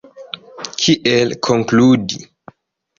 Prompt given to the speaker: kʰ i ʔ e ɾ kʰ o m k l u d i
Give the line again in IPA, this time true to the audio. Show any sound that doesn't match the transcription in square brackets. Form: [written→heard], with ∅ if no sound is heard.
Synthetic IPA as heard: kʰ i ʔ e [ɾ→l] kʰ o [m→ŋ] k l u d i